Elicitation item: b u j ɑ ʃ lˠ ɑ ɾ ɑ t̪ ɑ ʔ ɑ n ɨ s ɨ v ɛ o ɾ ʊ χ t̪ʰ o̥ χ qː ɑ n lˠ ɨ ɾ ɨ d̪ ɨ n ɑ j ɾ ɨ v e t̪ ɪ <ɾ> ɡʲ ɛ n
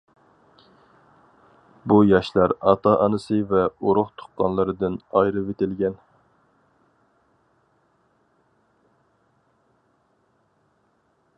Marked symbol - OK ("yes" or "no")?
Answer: no